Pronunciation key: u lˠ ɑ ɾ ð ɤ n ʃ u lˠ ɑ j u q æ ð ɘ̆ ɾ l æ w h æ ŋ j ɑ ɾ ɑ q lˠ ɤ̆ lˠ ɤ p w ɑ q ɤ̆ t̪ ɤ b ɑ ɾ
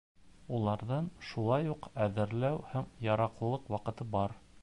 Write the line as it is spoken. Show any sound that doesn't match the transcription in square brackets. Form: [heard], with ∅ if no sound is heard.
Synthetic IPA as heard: u lˠ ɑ ɾ ð ɤ n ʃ u lˠ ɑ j u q æ ð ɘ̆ ɾ l æ w h æ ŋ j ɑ ɾ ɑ q lˠ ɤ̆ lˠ ɤ [q] w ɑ q ɤ̆ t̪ ɤ b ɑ ɾ